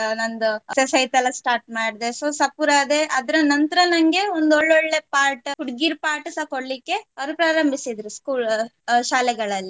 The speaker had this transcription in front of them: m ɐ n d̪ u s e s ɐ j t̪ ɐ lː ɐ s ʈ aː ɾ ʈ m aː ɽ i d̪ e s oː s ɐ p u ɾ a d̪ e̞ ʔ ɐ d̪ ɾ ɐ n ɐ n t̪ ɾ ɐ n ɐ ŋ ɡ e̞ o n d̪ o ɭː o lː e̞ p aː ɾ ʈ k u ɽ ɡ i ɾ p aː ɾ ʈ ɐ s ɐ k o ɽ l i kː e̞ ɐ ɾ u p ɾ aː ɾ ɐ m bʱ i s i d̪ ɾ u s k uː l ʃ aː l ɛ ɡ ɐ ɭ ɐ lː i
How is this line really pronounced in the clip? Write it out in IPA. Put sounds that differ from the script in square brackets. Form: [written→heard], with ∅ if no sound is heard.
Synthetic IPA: [m→n] ɐ n d̪ u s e s ɐ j t̪ ɐ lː ɐ s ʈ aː ɾ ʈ m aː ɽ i d̪ e s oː s ɐ p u ɾ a d̪ e̞ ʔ ɐ d̪ ɾ ɐ n ɐ n t̪ ɾ ɐ n ɐ ŋ ɡ e̞ o n d̪ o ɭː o [lː→ɭː] e̞ p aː ɾ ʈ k u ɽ ɡ i ɾ p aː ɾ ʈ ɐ s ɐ k o ɽ l i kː e̞ ɐ ɾ u p ɾ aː ɾ ɐ m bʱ i s i d̪ ɾ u s k uː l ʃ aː l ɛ ɡ ɐ ɭ ɐ lː i